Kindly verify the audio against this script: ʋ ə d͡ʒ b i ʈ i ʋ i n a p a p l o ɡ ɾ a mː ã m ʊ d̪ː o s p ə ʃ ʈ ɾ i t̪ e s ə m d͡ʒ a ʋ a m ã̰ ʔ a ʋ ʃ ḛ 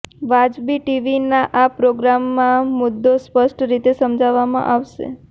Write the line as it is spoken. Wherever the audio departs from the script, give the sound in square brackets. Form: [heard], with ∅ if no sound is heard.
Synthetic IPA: ʋ [a] d͡ʒ b i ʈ i ʋ i n a [ʔ] a p [ɾ] o ɡ ɾ a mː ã m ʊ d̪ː o s p ə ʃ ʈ ɾ i t̪ e s ə m d͡ʒ a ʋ a m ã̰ ʔ a ʋ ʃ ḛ